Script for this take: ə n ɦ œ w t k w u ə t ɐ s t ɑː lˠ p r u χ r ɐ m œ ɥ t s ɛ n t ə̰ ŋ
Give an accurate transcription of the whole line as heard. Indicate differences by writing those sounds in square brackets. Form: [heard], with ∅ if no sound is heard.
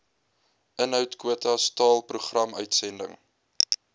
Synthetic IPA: ə n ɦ œ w t k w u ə t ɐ s t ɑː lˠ p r u χ r ɐ m œ ɥ t s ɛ n [d] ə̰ ŋ